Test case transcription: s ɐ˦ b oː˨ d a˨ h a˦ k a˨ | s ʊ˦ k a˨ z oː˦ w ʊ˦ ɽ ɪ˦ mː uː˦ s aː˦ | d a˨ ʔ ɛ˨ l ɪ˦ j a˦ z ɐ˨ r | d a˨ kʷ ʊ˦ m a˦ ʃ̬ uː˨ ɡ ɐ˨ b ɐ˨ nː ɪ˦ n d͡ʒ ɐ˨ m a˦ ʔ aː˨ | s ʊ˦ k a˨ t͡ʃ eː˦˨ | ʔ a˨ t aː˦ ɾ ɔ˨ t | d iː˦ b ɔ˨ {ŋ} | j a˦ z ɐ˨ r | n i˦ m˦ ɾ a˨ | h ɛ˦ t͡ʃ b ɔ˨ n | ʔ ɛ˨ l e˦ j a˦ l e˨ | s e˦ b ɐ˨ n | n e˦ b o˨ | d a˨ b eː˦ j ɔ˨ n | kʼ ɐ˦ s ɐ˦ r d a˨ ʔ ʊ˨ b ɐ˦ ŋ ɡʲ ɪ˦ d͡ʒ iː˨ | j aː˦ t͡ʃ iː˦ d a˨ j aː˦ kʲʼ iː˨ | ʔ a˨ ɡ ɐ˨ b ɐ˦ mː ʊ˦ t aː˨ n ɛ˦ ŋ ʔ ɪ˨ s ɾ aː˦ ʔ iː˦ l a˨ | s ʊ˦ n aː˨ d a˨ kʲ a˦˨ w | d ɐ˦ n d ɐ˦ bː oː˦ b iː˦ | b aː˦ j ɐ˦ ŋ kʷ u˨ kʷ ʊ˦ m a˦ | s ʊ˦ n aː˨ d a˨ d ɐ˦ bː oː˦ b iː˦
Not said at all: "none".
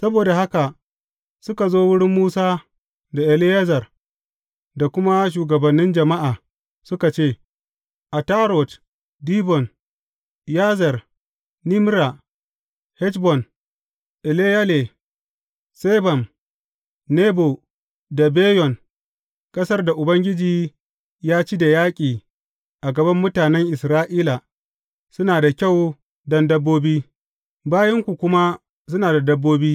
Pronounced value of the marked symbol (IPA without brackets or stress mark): n